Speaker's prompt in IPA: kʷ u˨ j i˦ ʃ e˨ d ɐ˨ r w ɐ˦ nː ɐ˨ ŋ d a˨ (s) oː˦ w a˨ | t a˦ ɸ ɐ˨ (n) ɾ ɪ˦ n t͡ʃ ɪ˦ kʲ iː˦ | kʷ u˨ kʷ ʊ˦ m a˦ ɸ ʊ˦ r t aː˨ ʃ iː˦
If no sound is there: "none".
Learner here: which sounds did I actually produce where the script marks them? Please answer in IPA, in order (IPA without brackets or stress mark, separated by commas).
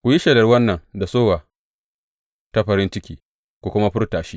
s, none